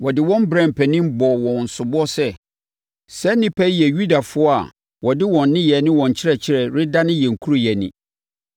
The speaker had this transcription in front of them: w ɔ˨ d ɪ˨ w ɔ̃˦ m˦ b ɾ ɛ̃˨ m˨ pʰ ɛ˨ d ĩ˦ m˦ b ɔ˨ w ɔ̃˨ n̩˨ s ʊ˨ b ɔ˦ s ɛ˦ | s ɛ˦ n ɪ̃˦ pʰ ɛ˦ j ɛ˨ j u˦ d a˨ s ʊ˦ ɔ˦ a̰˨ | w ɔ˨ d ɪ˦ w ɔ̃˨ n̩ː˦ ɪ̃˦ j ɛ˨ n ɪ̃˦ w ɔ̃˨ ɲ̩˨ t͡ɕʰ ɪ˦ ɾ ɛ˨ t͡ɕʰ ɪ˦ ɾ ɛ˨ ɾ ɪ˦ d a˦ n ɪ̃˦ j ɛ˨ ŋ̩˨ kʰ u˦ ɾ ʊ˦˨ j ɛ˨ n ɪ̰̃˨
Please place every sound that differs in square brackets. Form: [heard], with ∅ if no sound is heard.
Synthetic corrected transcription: w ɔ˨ d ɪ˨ w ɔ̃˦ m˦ b ɾ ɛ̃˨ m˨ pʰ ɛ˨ [n] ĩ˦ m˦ b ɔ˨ w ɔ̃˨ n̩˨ s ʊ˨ b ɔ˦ s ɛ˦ | s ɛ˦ n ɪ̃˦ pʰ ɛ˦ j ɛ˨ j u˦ d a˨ [f] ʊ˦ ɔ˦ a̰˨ | w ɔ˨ d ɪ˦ w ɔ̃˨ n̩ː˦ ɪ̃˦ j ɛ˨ n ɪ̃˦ w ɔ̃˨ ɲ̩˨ t͡ɕʰ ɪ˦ ɾ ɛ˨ t͡ɕʰ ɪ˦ ɾ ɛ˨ ɾ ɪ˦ d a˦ n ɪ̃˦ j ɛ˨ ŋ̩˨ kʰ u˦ ɾ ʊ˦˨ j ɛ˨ n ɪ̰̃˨